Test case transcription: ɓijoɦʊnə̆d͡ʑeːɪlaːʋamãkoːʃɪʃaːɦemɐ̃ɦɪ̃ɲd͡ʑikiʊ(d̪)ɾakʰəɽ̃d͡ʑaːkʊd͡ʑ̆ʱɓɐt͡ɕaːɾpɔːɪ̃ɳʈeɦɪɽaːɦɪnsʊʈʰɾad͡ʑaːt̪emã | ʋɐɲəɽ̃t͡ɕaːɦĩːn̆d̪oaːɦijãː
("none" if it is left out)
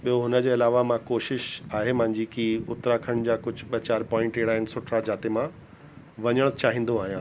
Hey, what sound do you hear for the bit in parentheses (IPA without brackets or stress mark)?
t̪